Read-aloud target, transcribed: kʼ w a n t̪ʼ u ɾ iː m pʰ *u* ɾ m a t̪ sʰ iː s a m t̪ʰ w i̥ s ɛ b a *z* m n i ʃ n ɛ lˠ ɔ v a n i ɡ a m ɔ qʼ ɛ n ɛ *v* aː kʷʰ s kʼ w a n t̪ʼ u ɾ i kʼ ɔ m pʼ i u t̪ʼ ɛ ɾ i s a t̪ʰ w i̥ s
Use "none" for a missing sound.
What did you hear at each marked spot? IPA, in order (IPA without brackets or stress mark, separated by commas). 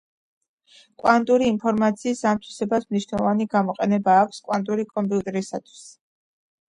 ɔ, s, b